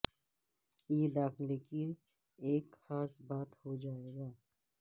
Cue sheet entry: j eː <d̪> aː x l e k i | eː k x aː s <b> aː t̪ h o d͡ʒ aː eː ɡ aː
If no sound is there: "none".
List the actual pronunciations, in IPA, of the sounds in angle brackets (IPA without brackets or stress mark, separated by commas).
d̪, b